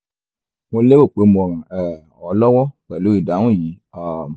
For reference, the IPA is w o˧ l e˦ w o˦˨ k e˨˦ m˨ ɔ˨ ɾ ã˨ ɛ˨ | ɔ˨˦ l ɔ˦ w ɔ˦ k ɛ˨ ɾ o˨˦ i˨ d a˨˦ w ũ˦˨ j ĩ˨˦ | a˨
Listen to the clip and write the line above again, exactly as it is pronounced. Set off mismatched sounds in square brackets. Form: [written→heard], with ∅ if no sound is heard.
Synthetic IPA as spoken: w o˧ l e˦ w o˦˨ [k→k͡p] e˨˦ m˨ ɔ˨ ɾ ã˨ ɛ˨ | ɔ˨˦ l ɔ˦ w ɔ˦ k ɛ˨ [ɾ→l] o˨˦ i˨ d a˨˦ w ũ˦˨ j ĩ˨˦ | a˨